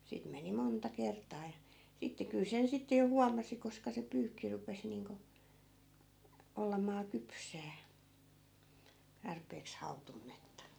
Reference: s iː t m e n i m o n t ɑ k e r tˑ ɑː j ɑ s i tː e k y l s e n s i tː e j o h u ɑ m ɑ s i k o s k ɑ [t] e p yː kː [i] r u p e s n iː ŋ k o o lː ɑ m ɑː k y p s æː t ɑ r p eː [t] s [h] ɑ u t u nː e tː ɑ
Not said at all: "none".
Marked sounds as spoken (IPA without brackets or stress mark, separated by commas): s, i, k, h